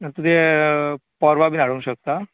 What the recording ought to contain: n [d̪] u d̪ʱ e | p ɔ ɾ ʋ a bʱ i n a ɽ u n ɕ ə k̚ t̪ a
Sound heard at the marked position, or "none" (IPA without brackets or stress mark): t̪